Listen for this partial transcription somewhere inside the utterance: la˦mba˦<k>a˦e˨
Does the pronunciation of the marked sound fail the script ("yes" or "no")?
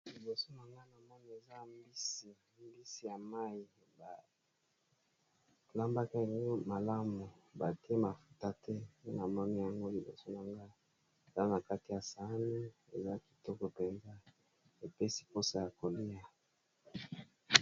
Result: no